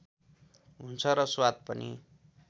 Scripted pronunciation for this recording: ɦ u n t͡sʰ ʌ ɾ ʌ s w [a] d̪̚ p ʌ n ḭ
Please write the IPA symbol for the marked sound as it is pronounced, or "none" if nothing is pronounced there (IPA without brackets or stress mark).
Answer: a